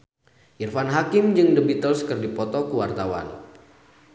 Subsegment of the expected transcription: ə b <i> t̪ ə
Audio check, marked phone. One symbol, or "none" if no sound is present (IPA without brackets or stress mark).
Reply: i